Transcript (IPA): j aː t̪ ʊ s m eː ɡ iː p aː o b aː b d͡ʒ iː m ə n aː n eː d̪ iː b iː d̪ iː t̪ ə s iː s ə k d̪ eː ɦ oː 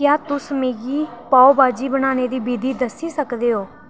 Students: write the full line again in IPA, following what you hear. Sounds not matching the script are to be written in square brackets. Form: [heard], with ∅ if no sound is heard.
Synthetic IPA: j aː t̪ ʊ s m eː ɡ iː p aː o b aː [∅] d͡ʒ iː [b] ə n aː n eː d̪ iː b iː d̪ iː [d̪] ə s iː s ə k d̪ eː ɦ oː